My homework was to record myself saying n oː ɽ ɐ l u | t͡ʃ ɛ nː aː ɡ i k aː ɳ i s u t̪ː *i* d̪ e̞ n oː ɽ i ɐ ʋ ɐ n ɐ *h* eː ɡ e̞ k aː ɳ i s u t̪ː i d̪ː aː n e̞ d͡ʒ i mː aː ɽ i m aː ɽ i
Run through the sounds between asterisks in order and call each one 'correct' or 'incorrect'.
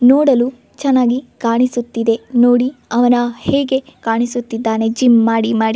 correct, correct

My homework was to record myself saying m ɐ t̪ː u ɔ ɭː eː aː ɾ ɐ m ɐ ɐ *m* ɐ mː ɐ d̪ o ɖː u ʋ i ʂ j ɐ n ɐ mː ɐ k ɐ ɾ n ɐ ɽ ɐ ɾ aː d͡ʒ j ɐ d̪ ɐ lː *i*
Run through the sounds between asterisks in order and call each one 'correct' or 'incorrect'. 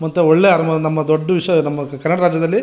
incorrect, correct

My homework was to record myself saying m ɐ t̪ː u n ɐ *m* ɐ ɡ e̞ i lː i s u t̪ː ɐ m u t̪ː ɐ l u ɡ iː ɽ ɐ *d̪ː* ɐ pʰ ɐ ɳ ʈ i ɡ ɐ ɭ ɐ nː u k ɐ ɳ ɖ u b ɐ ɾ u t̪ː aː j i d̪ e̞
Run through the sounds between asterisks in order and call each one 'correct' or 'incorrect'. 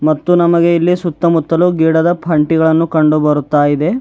correct, incorrect

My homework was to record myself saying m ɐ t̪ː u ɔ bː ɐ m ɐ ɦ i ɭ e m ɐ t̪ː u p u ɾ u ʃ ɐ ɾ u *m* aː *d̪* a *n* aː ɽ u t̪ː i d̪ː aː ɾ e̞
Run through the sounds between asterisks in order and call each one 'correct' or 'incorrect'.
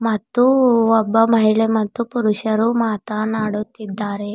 correct, incorrect, correct

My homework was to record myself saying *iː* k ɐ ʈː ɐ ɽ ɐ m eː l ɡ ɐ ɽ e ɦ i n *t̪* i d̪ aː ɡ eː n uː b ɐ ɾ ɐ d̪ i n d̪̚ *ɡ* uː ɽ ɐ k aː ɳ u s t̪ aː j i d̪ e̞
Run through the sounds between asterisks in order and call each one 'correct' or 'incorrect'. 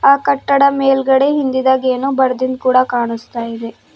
incorrect, incorrect, incorrect

